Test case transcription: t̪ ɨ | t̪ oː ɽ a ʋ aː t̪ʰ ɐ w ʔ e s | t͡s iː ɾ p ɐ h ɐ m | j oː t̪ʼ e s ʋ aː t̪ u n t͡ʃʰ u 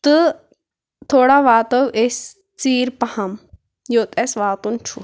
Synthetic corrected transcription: t̪ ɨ | t̪ʰ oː ɽ a ʋ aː t̪ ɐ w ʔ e s | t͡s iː ɾ p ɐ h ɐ m | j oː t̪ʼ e s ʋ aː t̪ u n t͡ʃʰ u